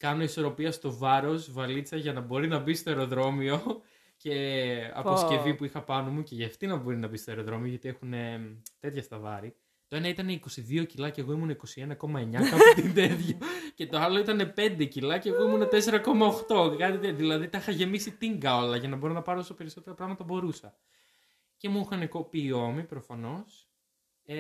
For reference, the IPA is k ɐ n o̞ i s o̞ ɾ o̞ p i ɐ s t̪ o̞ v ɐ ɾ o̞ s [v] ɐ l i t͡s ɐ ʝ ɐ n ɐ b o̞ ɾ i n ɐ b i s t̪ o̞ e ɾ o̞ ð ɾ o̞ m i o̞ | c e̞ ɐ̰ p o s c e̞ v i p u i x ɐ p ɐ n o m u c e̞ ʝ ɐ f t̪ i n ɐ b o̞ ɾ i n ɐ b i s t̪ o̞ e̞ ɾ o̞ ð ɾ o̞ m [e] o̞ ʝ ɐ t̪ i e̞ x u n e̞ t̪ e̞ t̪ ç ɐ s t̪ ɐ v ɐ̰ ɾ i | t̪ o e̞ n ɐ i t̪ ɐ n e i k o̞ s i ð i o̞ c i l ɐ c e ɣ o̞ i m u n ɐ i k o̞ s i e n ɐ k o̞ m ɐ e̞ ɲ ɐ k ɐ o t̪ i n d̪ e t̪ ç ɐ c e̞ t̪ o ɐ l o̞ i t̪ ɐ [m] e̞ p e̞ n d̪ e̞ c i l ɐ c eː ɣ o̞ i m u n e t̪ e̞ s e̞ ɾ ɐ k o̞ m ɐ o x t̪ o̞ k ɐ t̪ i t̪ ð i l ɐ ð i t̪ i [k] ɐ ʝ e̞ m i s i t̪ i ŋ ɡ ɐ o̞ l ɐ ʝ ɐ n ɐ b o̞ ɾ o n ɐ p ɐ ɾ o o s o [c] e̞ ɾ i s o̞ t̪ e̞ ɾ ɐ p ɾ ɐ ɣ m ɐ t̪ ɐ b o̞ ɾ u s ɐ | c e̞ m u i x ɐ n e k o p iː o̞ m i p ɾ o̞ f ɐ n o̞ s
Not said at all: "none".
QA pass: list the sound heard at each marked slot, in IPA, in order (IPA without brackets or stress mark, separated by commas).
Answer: v, i, n, x, p